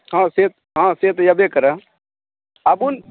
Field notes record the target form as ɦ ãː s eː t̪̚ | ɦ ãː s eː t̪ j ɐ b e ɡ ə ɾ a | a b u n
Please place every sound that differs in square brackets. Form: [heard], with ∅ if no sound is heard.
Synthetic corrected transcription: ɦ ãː s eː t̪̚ | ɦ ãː s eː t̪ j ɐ b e [k] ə ɾ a | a b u n